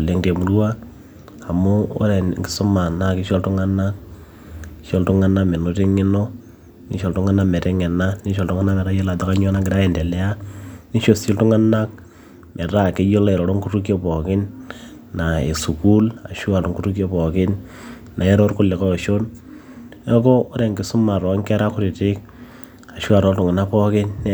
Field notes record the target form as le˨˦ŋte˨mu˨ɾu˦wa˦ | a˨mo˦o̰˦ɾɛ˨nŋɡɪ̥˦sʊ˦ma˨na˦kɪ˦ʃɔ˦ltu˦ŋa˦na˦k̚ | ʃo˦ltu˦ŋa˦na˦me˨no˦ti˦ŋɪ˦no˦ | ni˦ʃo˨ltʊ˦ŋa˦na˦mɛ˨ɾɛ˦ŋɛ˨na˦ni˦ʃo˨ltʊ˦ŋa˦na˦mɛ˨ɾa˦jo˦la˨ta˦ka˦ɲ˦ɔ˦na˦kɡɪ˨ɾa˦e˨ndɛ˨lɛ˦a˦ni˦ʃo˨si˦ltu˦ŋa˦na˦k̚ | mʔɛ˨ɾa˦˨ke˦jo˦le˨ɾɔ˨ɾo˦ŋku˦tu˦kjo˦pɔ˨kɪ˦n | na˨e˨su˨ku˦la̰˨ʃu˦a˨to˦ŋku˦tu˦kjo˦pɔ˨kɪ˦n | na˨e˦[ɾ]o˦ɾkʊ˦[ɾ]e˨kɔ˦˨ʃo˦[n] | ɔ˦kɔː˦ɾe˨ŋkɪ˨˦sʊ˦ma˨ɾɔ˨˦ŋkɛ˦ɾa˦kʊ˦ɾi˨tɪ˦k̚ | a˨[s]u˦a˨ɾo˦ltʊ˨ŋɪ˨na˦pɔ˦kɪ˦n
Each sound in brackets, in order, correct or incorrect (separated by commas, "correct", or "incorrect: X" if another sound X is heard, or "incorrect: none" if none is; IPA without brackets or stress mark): correct, incorrect: l, correct, incorrect: ʃ